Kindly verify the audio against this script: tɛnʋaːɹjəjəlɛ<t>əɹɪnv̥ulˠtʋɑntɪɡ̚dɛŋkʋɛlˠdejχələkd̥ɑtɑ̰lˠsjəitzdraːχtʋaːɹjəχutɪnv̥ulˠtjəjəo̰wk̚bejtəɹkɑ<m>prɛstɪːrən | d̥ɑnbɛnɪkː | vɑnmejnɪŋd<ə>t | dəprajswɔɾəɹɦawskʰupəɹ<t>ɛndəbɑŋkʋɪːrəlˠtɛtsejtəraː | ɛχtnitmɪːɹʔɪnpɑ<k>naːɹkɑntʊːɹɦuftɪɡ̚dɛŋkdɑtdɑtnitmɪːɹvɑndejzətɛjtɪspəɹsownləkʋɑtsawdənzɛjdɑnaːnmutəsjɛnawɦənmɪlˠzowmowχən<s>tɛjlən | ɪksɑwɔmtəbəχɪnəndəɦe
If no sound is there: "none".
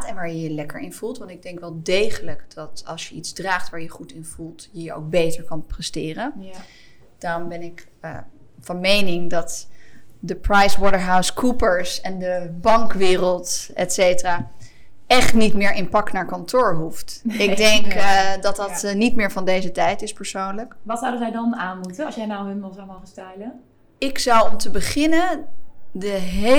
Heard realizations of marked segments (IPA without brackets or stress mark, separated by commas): k, n, ɑ, s, k, s